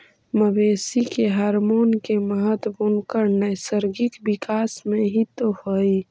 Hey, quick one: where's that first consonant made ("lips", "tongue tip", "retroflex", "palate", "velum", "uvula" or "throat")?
lips